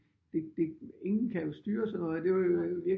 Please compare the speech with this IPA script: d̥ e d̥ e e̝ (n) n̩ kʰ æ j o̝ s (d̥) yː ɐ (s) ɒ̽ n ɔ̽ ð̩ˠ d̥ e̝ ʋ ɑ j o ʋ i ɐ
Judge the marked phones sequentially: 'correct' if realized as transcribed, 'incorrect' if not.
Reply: incorrect: ŋ, correct, correct

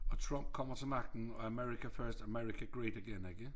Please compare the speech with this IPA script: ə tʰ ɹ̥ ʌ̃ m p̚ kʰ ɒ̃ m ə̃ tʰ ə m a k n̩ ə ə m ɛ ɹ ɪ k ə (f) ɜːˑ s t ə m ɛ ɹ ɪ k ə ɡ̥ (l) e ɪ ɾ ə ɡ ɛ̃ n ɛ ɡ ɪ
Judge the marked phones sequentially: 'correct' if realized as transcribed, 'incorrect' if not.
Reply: correct, incorrect: ɹ

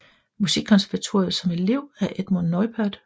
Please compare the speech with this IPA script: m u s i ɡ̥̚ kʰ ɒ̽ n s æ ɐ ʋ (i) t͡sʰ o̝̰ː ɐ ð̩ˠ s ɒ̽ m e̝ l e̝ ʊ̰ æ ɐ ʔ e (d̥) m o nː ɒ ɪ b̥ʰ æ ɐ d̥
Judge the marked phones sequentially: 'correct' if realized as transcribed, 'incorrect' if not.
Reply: incorrect: æ, correct

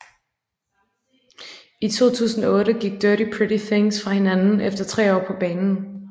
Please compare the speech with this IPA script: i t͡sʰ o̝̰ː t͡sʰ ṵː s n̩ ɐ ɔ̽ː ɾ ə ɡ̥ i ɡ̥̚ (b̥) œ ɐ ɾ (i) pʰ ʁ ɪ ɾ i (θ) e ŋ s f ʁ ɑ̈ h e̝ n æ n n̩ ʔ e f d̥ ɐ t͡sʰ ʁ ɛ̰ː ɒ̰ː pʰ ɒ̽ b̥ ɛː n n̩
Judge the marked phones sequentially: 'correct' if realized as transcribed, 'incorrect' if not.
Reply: incorrect: d̥, correct, correct

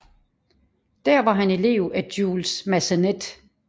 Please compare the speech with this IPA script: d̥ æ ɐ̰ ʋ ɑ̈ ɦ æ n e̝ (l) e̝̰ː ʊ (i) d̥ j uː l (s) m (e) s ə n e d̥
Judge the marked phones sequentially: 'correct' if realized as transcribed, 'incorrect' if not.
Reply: correct, incorrect: æ, correct, incorrect: æ

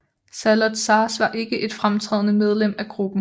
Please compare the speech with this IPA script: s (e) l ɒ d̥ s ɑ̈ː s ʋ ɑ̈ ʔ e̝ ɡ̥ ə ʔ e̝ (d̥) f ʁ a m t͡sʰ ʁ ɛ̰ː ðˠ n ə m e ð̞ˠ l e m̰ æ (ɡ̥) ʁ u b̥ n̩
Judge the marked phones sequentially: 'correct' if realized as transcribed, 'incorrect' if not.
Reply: incorrect: æ, correct, correct

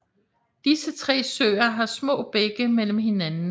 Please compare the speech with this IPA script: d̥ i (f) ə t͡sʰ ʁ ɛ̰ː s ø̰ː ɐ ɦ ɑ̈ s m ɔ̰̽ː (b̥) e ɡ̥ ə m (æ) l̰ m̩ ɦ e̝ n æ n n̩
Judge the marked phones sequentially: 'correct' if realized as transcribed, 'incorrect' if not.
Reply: incorrect: s, correct, incorrect: e

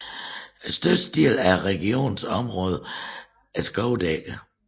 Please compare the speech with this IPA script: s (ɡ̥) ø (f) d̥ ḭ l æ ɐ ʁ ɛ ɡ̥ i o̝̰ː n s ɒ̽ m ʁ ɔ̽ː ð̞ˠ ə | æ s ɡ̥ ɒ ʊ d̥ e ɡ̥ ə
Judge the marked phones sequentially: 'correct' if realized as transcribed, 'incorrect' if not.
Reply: incorrect: d̥, incorrect: s

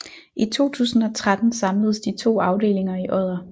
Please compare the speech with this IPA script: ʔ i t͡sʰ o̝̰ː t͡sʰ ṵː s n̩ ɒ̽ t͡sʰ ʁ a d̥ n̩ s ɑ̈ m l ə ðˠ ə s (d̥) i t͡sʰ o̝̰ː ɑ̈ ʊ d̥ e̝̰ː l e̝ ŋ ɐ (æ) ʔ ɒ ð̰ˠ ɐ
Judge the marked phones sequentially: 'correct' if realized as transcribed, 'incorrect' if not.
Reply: correct, incorrect: i

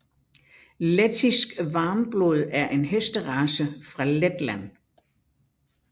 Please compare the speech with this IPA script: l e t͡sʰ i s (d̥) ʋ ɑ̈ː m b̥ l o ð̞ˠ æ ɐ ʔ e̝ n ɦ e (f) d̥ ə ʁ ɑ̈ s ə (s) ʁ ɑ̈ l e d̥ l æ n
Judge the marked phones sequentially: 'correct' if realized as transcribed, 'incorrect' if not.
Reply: incorrect: ɡ̥, incorrect: s, incorrect: f

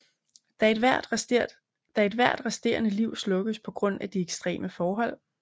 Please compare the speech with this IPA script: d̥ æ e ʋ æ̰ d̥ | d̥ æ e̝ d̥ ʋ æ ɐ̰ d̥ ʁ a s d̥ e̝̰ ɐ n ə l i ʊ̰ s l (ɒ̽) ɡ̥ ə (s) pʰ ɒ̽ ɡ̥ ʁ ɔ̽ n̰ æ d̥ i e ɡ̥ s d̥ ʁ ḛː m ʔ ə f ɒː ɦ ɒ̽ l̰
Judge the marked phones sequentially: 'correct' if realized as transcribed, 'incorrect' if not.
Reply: incorrect: ɔ̽, correct

